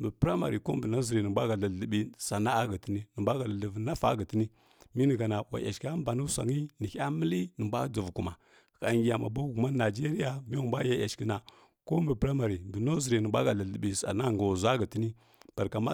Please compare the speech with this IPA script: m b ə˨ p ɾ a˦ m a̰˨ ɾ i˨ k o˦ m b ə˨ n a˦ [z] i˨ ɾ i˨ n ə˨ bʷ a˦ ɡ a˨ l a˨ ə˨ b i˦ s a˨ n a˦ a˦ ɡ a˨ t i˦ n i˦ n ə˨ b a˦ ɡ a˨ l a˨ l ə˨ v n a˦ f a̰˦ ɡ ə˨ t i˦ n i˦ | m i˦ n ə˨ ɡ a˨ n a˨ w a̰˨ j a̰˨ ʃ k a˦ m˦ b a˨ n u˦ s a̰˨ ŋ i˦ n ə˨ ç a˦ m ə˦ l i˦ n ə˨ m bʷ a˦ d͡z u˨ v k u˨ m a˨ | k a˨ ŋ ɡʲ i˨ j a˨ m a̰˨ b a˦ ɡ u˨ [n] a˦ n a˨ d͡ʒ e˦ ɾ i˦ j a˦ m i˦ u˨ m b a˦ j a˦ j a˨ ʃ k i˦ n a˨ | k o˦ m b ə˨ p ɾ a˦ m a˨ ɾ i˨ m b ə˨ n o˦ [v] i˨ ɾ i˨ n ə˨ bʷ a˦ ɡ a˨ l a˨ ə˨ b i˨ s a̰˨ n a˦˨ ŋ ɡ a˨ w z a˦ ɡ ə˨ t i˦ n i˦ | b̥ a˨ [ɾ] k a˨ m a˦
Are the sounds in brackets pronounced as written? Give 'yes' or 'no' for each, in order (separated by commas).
yes, no, no, yes